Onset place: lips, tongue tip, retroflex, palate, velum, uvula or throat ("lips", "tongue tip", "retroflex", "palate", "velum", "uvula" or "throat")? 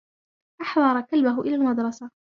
throat